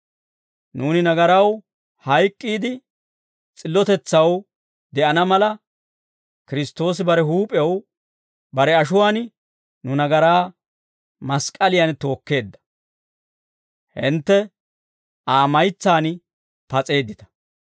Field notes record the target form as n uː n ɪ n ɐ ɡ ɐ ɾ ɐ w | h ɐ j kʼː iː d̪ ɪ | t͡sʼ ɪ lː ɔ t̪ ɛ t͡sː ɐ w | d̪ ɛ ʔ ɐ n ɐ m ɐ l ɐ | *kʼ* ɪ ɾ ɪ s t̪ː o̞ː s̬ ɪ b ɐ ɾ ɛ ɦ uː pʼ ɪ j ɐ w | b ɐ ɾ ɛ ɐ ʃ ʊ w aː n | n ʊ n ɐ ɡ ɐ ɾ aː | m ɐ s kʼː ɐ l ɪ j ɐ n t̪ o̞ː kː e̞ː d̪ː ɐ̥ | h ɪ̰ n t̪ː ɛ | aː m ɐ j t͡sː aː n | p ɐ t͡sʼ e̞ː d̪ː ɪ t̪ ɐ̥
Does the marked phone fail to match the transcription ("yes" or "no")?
yes